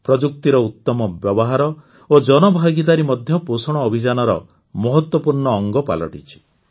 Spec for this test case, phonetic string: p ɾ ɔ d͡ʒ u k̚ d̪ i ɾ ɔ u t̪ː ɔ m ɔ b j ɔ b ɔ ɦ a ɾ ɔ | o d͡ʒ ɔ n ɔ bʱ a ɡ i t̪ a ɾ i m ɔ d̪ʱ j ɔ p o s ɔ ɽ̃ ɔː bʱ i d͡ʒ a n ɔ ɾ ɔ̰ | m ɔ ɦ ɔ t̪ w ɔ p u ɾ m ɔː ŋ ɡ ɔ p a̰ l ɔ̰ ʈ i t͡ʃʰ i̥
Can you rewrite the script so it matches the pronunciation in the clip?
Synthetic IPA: p ɾ ɔ d͡ʒ u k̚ t̪ i ɾ ɔ u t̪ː ɔ m ɔ b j ɔ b ɔ ɦ a ɾ ɔ | o d͡ʒ ɔ n ɔ bʱ a ɡ i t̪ a ɾ i m ɔ d̪ʱ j ɔ p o s ɔ ɽ̃ ɔː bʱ i d͡ʒ a n ɔ ɾ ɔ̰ | m ɔ ɦ ɔ t̪ w ɔ p u ɾ ɳ ɔː ŋ ɡ ɔ p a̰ l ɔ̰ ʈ i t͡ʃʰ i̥

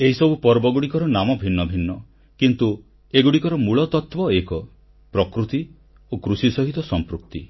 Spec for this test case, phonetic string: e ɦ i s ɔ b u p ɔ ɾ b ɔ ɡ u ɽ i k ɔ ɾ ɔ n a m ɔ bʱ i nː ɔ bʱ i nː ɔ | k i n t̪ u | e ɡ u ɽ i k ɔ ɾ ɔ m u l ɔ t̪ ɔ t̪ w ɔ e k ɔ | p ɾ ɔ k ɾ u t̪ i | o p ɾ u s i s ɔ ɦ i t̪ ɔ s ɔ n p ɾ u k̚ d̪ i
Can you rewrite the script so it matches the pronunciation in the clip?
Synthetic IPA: e ɦ i s ɔ b u p ɔ ɾ b ɔ ɡ u ɽ i k ɔ ɾ ɔ n a m ɔ bʱ i nː ɔ bʱ i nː ɔ | k i n t̪ u | e ɡ u ɽ i k ɔ ɾ ɔ m u ɭ ɔ t̪ ɔ t̪ w ɔ e k ɔ | p ɾ ɔ k ɾ u t̪ i | o k ɾ u s i s ɔ ɦ i t̪ ɔ s ɔ m p ɾ u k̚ t̪ i

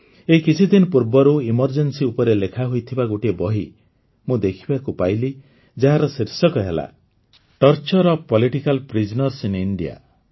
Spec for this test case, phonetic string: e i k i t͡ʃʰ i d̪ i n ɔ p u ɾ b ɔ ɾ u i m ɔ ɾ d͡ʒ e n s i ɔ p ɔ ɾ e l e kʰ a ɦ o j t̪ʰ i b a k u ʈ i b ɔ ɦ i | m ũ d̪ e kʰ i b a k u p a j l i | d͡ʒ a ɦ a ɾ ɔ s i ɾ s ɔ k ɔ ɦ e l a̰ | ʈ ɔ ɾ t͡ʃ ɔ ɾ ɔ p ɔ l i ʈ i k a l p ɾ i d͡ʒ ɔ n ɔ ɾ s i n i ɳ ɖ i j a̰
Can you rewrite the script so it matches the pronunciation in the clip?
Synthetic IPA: e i k i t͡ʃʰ i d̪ i n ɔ p u ɾ b ɔ ɾ u i m ɔ ɾ d͡ʒ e n s i u p ɔ ɾ e l e kʰ a ɦ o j t̪ʰ i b a ɡ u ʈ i b ɔ ɦ i | m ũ d̪ e kʰ i b a k u p a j l i | d͡ʒ a ɦ a ɾ ɔ s i ɾ s ɔ k ɔ ɦ e l a̰ | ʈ ɔ ɾ t͡ʃ ɔ ɾ ɔ p ɔ l i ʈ i k a l p ɾ i d͡ʒ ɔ n ɔ ɾ s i n i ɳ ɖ i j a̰

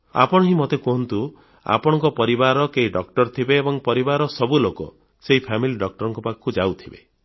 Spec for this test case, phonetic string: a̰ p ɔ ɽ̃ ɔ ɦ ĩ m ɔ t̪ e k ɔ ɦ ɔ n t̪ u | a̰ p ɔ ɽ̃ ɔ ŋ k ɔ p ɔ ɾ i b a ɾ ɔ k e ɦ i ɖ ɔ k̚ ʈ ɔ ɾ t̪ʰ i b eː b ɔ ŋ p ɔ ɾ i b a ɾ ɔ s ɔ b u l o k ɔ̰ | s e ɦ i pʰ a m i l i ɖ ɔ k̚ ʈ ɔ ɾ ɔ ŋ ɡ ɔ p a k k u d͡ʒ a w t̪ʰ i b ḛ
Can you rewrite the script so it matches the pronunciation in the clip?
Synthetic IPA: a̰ p ɔ ɽ̃ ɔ ɦ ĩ m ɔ t̪ e k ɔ ɦ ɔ n t̪ u | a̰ p ɔ ɽ̃ ɔ ŋ k ɔ p ɔ ɾ i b a ɾ ɔ k e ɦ i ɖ ɔ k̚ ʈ ɔ ɾ t̪ʰ i b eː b ɔ ŋ p ɔ ɾ i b a ɾ ɔ s ɔ b u l o k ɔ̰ | s e ɦ i pʰ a m i l i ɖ ɔ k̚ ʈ ɔ ɾ ɔ ŋ k ɔ p a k k u d͡ʒ a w t̪ʰ i b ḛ

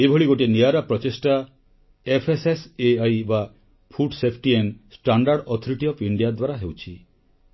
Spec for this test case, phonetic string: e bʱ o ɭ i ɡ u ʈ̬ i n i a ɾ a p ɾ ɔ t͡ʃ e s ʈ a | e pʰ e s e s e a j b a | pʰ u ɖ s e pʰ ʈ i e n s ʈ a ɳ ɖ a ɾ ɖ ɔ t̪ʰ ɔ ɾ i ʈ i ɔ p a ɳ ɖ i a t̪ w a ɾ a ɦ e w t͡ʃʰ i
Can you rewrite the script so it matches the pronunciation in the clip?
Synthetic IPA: e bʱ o ɭ i ɡ o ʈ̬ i n i a ɾ a p ɾ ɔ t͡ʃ e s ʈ a | e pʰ e s e s e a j b a | pʰ u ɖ s e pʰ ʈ i e n s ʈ a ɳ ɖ a ɾ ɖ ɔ t̪ʰ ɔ ɾ i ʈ i ɔ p i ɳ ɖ i a d̪ w a ɾ a ɦ e w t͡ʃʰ i

